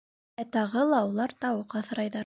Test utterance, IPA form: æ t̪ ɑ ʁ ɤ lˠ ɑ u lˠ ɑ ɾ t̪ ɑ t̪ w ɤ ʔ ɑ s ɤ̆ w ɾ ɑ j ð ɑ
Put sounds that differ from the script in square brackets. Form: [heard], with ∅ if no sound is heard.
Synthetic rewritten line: æ t̪ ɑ ʁ ɤ lˠ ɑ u lˠ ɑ ɾ t̪ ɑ [∅] w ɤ [q] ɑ [θ] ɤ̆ [∅] ɾ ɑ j ð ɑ